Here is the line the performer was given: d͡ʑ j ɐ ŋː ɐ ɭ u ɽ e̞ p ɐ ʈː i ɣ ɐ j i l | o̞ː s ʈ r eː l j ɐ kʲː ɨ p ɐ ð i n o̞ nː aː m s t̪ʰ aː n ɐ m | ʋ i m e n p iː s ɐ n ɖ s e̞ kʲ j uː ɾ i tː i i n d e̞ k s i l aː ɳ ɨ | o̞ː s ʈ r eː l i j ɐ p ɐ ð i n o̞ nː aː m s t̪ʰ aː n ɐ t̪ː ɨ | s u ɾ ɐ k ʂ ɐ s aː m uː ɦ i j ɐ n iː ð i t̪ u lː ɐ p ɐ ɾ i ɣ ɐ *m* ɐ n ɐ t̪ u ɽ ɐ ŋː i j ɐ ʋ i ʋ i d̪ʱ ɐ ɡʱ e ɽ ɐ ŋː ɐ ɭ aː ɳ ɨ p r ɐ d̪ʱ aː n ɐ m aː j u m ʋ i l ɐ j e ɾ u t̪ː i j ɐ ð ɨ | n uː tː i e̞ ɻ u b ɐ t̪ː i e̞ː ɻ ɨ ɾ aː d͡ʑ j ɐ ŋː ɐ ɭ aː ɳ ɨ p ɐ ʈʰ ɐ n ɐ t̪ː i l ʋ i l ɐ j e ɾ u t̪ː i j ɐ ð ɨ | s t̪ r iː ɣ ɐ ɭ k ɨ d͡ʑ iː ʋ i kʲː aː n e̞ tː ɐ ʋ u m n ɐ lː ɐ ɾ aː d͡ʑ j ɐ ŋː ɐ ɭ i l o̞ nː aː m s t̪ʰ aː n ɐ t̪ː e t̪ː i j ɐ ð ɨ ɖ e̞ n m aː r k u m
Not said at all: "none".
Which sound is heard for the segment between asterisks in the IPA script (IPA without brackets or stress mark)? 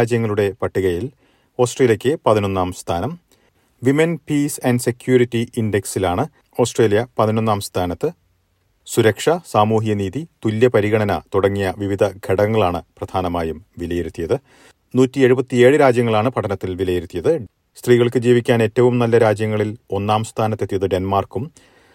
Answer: ɳ